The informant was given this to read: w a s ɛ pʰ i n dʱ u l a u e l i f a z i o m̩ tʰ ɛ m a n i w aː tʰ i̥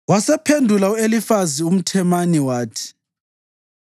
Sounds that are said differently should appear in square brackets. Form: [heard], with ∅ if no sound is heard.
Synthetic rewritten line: w a s ɛ pʰ [e] n dʱ u l a u e l i f a z i [u] m̩ tʰ ɛ m a n i w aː tʰ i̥